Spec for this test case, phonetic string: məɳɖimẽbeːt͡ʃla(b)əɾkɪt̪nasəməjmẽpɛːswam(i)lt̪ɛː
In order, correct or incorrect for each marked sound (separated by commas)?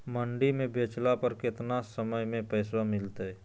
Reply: incorrect, incorrect